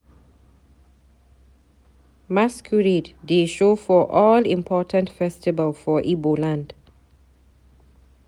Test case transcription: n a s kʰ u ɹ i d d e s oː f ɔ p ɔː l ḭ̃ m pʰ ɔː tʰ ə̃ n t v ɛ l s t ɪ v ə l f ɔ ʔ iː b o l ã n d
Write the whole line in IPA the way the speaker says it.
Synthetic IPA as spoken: m a s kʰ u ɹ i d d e ʃ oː f ɔ ʔ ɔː l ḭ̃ m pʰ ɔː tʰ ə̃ n t f ɛ s t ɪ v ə l f ɔ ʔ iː b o l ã n d